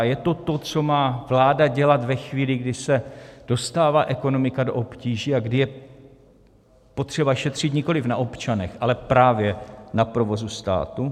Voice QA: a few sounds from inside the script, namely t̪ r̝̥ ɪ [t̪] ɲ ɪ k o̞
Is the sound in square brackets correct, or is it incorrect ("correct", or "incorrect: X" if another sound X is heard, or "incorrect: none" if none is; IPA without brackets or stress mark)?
correct